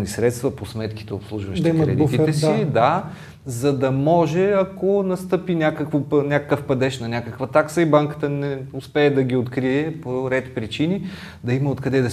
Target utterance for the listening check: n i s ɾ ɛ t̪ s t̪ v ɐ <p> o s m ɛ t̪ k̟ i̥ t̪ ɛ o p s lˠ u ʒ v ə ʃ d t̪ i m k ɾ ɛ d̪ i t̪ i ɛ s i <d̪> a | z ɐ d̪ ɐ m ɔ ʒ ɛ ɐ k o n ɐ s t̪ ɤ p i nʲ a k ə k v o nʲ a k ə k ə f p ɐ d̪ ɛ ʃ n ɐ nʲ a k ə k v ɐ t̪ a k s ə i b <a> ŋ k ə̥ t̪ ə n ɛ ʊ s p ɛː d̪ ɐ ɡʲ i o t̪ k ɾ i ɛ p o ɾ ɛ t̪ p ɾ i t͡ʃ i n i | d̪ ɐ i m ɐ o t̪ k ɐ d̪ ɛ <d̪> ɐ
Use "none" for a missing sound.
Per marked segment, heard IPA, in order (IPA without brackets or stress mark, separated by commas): p, d̪, a, d̪